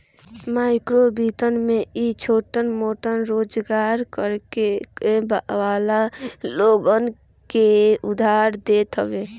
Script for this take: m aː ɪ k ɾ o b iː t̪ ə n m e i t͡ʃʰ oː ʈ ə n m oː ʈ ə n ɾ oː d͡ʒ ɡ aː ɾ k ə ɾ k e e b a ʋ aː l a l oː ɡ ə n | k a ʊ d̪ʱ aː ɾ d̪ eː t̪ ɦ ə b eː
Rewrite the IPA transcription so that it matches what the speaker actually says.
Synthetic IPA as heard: m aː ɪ k ɾ o b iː t̪ ə n m e i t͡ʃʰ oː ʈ ə n m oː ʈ ə n ɾ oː d͡ʒ ɡ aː ɾ k ə ɾ k e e b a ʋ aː l a l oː ɡ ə n | k e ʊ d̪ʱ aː ɾ d̪ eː t̪ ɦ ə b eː